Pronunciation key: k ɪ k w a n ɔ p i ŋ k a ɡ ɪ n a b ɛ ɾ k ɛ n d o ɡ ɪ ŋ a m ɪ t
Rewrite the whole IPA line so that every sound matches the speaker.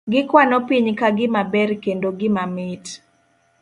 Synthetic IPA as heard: ɡ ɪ k w a n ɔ p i ɲ k a ɡ ɪ m a b ɛ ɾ k e n d o ɡ ɪ m a m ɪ t